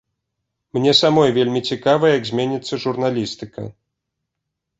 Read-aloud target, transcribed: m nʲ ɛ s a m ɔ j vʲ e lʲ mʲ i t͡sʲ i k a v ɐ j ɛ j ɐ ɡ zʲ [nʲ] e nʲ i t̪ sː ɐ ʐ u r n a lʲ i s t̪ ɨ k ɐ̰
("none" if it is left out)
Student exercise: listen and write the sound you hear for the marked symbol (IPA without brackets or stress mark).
mʲ